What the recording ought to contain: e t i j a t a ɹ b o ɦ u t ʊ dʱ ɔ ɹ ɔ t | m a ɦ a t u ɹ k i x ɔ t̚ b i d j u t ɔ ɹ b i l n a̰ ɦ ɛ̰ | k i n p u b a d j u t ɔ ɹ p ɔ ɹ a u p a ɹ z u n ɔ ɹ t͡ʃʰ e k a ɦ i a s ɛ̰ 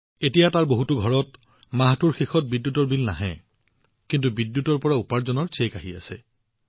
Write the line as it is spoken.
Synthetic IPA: e t i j a t a ɹ b o ɦ u t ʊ ɡʱ ɔ ɹ ɔ t | m a ɦ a t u ɹ x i x ɔ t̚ b i d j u t ɔ ɹ b i l n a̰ ɦ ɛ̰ | k i n t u b i d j u t ɔ ɹ p ɔ ɹ a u p a ɹ z ɔ n ɔ ɹ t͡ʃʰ e k a ɦ i a s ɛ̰